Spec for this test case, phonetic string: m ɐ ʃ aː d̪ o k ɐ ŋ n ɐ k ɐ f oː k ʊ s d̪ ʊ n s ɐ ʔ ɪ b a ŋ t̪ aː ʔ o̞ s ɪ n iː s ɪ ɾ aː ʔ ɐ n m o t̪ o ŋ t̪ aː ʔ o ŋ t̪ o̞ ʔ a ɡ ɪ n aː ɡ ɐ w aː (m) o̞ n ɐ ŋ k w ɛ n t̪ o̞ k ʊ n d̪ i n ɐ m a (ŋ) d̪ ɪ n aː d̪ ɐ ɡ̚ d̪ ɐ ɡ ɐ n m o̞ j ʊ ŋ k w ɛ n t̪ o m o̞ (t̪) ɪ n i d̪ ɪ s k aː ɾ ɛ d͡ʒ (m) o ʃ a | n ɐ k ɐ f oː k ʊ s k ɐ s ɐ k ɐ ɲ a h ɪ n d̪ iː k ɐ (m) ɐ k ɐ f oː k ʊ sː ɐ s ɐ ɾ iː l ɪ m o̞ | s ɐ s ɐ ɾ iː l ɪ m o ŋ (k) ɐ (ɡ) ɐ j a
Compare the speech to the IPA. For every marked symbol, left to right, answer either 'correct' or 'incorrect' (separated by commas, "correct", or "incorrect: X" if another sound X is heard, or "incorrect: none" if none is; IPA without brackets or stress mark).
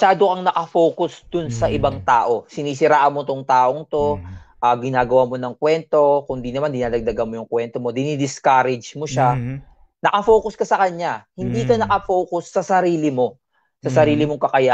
correct, incorrect: n, incorrect: d̪, correct, incorrect: n, correct, incorrect: k